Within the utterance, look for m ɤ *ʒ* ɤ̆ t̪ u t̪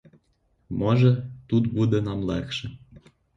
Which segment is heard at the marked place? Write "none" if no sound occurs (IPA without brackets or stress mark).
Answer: ʒ